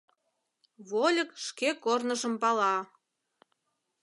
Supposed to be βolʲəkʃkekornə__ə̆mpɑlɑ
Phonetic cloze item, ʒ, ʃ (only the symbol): ʒ